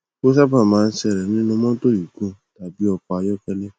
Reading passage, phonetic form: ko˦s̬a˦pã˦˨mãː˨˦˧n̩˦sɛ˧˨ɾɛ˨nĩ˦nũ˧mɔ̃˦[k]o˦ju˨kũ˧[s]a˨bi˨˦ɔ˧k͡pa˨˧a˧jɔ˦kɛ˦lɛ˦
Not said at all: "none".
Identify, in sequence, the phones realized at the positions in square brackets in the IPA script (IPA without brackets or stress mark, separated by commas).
t, t